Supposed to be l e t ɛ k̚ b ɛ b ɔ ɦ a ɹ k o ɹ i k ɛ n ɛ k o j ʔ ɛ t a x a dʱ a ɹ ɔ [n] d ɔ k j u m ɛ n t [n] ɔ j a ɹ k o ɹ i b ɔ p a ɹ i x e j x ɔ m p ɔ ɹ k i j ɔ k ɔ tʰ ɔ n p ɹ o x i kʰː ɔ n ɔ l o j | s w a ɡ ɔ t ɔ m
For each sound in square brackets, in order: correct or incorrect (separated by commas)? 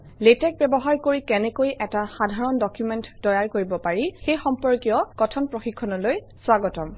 correct, incorrect